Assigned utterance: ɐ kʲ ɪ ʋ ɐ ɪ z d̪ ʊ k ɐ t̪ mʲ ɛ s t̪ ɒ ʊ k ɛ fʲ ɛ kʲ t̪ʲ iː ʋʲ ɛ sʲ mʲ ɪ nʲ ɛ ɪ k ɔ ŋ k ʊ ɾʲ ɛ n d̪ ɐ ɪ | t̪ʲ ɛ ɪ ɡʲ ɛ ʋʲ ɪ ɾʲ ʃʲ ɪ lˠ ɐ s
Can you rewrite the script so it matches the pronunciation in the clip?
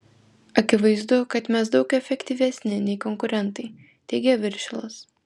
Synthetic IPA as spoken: ɐ kʲ ɪ ʋ ɐ ɪ z d̪ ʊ k ɐ t̪ mʲ ɛ s d̪ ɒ ʊ k ɛ fʲ ɛ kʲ t̪ʲ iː ʋʲ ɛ sʲ nʲ ɪ nʲ ɛ ɪ k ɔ ŋ k ʊ ɾʲ ɛ n t̪ ɐ ɪ | t̪ʲ ɛ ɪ ɡʲ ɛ ʋʲ ɪ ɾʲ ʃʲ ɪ lˠ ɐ s